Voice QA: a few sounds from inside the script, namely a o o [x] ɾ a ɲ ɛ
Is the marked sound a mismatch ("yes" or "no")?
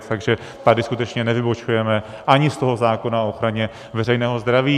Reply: no